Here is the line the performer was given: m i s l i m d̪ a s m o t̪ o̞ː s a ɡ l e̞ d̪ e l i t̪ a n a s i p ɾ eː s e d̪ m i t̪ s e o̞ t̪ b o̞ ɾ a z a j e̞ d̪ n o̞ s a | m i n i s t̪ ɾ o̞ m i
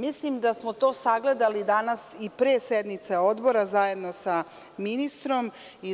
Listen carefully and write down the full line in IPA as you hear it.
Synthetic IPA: m i s l i m d̪ a s m o t̪ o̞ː s a ɡ l e̞ d̪ a l i d̪ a n a s i p ɾ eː s e d̪ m i t̪ s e o̞ d̪ b o̞ ɾ a z a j e̞ d̪ n o̞ s a | m i n i s t̪ ɾ o̞ m i